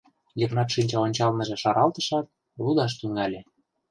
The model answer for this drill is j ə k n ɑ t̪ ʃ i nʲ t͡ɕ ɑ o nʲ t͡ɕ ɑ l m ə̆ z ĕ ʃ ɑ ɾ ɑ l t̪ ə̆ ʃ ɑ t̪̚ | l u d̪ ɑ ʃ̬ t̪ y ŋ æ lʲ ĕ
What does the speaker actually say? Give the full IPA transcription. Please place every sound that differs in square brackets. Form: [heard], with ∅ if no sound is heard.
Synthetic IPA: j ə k n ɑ t̪ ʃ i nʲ t͡ɕ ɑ o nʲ t͡ɕ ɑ l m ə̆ [ʒ] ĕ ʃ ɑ ɾ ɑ l t̪ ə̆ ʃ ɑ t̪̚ | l u d̪ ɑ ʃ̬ t̪ y ŋ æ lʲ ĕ